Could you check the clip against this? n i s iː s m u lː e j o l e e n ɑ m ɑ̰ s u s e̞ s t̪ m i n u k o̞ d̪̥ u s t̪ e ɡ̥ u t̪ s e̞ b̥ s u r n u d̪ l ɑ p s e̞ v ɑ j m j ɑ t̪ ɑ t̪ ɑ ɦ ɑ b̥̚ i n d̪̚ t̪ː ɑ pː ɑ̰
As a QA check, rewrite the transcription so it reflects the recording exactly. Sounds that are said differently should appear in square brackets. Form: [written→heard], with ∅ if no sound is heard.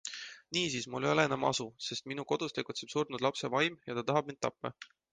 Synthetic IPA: n [i→iː] s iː s m u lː e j o l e e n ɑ m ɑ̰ s u s e̞ s t̪ m i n u k o̞ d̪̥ u s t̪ e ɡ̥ u t̪ s e̞ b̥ s u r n u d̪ l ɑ p s e̞ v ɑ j m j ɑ t̪ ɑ t̪ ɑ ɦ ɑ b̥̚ i n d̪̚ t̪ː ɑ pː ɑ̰

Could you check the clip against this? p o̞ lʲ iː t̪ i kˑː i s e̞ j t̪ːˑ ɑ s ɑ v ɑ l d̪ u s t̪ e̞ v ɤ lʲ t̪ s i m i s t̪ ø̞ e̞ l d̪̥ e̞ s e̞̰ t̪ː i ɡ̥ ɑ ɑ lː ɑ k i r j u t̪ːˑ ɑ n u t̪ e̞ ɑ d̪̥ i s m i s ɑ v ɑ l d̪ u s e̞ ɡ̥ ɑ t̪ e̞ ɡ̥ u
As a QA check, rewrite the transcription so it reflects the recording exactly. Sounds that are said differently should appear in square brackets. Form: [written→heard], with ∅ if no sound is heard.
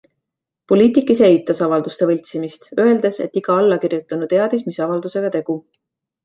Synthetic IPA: p o̞ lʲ iː t̪ i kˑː i s e̞ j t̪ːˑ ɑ s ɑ v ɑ l d̪ u s t̪ e̞ v ɤ lʲ t̪ s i m i s t̪ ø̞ e̞ l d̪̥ e̞ s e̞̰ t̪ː i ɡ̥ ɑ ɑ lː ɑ k i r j u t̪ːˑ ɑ n u t̪ e̞ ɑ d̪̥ i s m i s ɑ v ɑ l d̪ u s e̞ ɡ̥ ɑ t̪ e̞ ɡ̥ u

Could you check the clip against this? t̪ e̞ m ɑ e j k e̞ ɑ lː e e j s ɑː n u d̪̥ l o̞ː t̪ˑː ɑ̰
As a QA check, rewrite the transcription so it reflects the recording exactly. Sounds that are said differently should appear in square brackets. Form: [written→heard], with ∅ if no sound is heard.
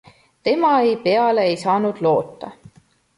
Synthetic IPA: t̪ e̞ m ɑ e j [k→p] e̞ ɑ [lː→l] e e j s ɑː n u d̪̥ l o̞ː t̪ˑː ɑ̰

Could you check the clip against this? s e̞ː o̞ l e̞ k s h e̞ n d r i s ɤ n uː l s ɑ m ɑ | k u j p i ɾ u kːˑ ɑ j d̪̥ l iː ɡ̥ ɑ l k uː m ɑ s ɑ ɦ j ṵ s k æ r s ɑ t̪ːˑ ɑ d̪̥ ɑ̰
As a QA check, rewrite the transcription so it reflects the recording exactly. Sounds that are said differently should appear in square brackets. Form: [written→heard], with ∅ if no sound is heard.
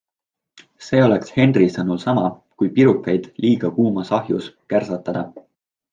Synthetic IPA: s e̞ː o̞ l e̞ k s h e̞ n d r i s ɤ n [uː→u] l s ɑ m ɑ | k u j p i ɾ u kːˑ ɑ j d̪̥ l iː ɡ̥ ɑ [l→∅] k uː m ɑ s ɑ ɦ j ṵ s k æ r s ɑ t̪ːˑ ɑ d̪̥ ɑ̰

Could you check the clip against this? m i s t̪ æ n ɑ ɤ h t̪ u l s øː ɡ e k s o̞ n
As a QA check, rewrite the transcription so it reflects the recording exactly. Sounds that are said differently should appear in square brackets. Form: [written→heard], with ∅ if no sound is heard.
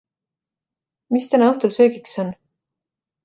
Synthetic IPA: m i s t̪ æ n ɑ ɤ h t̪ u l s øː ɡ [e→i] k s o̞ n

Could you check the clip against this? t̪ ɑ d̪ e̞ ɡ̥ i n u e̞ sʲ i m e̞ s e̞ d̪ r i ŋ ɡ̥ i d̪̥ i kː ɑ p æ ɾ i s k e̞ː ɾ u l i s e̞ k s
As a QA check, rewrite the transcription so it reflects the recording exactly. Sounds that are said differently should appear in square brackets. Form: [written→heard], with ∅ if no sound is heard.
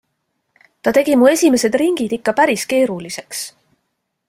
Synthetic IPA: t̪ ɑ [d̪→t̪] e̞ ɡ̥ i [n→m] u e̞ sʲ i m e̞ s e̞ d̪ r i ŋ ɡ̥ i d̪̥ i kː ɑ p æ ɾ i s k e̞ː ɾ u l i s e̞ k s

